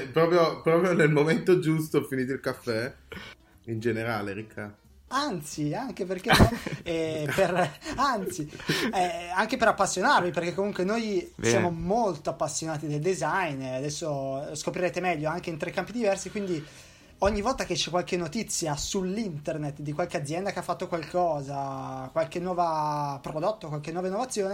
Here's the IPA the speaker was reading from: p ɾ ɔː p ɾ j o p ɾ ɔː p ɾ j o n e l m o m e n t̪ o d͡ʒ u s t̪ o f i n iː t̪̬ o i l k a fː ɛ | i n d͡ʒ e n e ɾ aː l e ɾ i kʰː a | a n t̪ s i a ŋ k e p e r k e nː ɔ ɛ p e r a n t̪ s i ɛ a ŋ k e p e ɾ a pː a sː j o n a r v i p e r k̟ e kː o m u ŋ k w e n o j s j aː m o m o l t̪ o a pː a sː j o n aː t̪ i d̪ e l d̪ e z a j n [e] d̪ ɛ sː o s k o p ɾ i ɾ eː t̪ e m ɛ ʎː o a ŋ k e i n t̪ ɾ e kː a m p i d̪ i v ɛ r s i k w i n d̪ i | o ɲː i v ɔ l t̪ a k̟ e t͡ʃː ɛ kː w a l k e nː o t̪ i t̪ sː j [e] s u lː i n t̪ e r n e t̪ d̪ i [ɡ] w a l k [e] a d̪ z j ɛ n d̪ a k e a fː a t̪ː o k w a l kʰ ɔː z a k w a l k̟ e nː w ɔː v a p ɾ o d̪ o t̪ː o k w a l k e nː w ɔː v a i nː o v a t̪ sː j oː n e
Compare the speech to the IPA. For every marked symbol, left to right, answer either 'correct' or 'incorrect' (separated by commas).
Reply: incorrect, incorrect, incorrect, correct